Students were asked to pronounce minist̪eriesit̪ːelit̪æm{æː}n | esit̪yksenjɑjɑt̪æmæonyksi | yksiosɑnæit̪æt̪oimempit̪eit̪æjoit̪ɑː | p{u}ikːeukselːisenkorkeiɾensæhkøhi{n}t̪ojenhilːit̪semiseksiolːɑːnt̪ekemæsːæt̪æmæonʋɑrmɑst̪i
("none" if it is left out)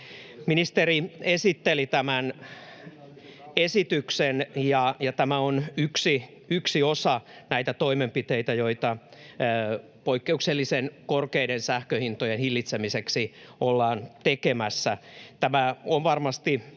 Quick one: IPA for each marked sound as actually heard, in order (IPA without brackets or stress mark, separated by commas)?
æ, o, n